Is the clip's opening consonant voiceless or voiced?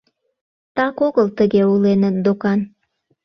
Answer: voiceless